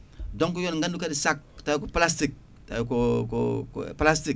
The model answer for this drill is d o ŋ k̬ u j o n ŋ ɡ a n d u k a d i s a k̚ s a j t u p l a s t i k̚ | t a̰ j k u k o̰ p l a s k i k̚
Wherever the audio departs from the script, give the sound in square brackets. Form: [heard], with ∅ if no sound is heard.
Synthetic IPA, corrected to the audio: d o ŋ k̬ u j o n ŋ ɡ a n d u k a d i s a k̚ [t] a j [k] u p l a s t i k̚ | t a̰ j k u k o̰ p l a s [t] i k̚